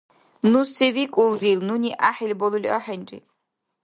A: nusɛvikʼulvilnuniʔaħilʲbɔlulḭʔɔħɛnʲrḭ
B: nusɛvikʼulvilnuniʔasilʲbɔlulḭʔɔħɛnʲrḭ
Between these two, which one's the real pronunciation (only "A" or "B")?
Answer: A